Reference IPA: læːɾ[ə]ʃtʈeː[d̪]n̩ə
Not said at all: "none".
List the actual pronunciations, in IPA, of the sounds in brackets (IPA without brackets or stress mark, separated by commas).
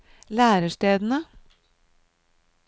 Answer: ə, d̪